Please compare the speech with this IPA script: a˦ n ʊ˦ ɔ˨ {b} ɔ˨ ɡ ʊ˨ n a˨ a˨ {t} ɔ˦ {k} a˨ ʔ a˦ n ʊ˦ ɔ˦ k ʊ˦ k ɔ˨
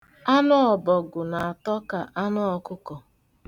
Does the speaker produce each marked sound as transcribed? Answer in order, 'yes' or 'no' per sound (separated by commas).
yes, yes, yes